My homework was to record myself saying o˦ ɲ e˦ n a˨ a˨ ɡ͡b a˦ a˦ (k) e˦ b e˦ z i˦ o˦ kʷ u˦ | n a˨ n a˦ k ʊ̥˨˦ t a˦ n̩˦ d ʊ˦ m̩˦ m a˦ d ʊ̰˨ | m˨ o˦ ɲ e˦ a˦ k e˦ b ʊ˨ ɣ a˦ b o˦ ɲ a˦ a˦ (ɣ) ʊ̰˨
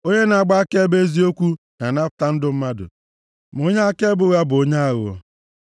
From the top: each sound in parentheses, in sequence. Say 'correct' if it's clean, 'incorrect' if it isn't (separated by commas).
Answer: correct, correct